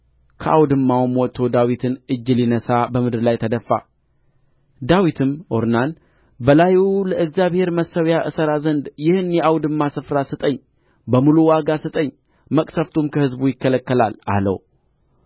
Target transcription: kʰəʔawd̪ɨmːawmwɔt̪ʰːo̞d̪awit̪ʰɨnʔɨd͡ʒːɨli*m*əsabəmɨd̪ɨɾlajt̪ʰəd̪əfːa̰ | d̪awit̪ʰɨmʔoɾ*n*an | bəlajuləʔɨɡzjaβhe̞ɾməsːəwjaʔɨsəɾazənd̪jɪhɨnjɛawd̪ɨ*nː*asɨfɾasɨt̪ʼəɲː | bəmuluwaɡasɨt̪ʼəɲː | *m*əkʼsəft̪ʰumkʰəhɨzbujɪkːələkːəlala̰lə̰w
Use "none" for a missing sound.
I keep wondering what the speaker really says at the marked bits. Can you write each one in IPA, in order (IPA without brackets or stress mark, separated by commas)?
n, n, mː, m